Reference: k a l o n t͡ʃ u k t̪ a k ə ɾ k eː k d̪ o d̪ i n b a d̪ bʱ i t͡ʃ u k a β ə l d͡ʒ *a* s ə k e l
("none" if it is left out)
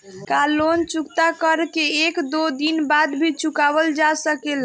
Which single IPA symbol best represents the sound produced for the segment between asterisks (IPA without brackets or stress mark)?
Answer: a